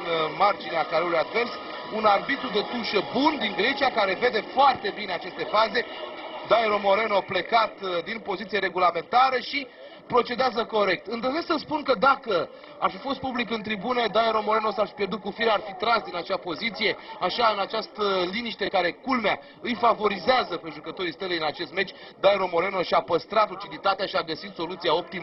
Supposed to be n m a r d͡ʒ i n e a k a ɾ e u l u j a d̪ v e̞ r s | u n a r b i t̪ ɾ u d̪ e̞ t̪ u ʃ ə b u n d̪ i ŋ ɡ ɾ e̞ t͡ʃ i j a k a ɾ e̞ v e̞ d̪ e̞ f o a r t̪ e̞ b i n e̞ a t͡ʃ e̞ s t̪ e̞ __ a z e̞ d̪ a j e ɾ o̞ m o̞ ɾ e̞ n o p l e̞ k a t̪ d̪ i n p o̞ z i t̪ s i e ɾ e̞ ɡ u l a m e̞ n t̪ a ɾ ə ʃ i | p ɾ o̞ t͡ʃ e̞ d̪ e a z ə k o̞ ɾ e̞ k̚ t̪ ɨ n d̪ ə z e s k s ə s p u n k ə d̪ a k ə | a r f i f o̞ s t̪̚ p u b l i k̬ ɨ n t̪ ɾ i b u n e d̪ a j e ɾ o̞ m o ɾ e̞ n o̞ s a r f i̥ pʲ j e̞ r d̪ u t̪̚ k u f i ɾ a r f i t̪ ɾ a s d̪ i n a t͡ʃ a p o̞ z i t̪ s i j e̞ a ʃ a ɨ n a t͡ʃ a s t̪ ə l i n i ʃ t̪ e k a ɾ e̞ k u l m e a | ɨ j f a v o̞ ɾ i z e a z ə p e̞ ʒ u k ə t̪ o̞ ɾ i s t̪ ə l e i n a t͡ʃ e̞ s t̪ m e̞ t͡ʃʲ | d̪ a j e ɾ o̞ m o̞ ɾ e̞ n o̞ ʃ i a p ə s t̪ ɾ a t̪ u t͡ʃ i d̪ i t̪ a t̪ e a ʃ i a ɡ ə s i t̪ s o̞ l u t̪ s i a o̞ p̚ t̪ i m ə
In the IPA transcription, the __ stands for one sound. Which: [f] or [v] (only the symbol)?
f